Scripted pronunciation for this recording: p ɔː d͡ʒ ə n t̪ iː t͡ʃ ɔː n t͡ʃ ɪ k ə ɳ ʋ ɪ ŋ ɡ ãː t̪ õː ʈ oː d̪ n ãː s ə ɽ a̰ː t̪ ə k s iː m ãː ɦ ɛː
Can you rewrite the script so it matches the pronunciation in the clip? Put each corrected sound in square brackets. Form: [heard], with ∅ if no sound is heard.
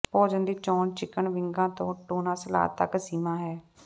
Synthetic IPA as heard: p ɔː d͡ʒ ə n [d̪] iː t͡ʃ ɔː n t͡ʃ ɪ k ə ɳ ʋ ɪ ŋ ɡ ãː t̪ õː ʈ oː [∅] n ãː s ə [l] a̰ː t̪ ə k s iː m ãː ɦ ɛː